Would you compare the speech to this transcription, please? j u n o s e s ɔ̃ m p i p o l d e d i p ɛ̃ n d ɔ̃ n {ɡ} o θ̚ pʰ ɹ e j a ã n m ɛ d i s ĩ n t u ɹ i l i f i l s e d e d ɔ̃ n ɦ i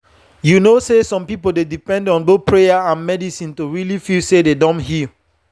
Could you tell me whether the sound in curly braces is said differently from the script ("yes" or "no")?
yes